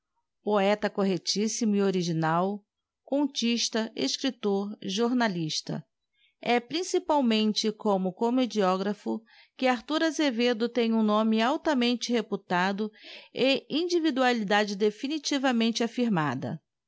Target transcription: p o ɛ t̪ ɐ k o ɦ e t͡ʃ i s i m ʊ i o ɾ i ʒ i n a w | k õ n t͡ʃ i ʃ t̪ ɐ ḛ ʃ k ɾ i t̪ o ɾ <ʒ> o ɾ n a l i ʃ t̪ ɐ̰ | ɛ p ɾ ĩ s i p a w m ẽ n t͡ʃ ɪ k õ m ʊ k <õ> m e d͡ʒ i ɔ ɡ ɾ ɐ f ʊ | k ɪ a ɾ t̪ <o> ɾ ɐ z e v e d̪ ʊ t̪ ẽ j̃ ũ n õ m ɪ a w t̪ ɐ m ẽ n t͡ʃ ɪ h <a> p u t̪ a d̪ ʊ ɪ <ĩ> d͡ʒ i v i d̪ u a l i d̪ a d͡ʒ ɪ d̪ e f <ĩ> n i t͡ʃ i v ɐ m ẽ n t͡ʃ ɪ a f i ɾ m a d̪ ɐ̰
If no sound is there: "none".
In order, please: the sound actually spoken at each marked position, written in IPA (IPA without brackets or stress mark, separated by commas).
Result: ʒ, o, u, e, ĩ, i